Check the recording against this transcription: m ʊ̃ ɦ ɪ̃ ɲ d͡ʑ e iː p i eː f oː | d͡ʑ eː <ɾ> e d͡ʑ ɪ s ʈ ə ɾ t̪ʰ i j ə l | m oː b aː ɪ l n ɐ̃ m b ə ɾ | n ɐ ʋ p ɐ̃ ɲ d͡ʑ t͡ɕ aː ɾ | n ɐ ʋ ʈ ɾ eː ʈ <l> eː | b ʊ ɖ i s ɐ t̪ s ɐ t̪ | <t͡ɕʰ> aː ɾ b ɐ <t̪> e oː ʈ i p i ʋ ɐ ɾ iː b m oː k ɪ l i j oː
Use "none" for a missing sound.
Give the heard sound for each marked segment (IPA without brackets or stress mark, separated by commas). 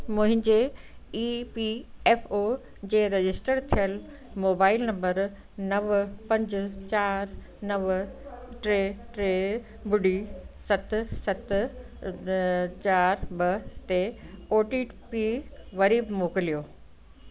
ɾ, ɾ, t͡ɕ, t̪